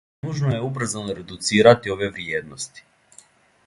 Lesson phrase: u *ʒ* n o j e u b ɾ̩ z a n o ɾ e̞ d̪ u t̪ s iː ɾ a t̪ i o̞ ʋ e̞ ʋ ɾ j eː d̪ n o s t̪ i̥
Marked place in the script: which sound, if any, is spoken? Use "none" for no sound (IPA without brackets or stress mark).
ʒ